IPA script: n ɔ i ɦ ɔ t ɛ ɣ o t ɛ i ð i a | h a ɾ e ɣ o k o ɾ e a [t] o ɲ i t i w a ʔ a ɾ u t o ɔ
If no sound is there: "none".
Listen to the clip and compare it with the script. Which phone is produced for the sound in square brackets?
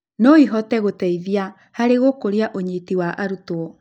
ʔ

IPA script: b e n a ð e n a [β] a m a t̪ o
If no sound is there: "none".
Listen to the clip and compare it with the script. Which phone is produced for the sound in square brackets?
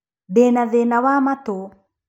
w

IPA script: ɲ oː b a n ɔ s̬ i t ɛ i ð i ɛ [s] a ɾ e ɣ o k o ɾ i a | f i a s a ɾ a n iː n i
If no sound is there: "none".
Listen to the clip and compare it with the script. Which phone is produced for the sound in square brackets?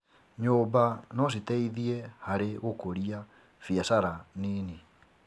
h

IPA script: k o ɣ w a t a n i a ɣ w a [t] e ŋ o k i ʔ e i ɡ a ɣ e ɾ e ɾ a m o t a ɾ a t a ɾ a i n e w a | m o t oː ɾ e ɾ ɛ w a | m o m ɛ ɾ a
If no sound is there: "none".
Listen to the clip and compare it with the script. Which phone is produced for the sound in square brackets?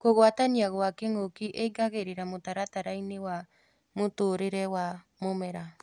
k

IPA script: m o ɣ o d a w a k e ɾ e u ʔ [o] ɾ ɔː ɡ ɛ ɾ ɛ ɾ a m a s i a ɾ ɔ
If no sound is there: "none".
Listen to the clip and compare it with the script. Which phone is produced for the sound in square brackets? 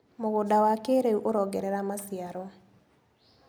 o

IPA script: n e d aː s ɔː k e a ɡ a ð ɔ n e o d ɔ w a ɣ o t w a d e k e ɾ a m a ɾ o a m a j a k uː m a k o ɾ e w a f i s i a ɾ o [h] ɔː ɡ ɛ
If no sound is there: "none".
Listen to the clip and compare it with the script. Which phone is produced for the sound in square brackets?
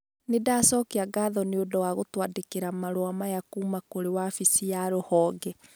h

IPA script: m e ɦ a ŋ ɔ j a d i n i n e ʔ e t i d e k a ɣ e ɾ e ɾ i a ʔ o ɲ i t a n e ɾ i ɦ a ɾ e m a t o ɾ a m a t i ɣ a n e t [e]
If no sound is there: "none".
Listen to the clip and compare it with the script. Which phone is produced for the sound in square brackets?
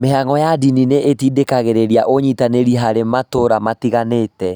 ɛ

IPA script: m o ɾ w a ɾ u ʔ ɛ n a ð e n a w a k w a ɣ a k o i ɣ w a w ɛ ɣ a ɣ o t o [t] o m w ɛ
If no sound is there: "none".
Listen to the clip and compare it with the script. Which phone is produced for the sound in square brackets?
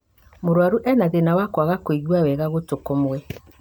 k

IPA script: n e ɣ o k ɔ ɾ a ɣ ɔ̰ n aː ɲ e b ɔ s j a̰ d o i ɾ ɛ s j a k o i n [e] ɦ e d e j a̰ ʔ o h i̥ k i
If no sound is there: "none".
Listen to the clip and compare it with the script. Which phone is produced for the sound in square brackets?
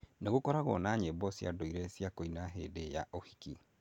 a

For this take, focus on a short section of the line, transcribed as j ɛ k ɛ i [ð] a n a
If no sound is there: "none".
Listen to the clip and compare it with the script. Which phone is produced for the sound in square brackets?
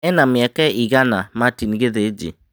ɣ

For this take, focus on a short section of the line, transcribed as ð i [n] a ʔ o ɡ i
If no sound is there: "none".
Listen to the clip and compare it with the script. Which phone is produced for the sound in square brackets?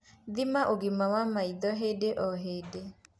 m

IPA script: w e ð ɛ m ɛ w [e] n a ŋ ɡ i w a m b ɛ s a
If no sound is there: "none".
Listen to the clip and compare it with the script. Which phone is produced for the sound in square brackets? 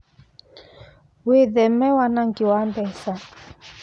a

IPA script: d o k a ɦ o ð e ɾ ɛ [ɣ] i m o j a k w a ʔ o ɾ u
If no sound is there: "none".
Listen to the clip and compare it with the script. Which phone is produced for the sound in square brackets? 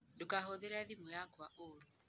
ð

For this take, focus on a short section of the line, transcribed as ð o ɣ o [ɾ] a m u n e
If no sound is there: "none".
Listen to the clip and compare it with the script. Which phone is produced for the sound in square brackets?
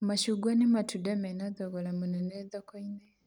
l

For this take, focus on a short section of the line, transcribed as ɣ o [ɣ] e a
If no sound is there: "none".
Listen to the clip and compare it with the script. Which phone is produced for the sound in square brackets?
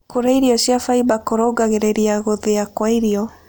ð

